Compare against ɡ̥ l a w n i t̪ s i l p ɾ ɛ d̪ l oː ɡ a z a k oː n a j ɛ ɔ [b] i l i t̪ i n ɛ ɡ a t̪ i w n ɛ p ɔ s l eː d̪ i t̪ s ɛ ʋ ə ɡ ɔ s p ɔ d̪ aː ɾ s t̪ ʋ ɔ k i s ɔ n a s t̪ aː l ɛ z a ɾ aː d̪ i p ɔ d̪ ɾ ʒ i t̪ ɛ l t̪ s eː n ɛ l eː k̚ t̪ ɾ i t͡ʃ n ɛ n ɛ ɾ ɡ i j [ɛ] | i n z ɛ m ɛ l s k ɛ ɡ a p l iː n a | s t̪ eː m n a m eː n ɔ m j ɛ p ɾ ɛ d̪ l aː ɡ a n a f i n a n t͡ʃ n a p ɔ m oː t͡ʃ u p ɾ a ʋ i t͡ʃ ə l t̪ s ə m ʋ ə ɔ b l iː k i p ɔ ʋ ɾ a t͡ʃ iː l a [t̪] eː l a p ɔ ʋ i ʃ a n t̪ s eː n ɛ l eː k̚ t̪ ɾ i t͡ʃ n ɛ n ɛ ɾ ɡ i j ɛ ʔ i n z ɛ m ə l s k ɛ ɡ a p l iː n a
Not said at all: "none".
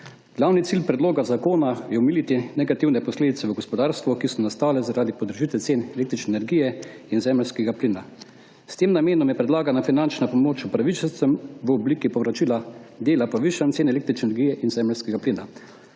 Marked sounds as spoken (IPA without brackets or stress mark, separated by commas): m, ɛ, d̪